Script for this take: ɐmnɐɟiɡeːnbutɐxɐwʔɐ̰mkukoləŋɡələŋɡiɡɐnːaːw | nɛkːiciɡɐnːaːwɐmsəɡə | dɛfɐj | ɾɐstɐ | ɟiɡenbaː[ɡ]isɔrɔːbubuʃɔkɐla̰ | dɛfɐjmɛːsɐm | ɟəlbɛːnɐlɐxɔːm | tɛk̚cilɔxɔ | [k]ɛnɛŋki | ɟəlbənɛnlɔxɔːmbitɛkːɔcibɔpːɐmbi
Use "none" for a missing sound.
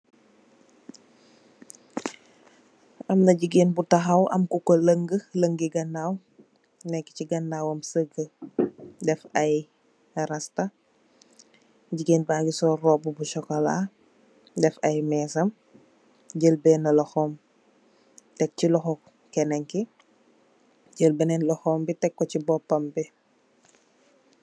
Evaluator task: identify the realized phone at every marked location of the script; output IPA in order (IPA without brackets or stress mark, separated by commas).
ɡ, k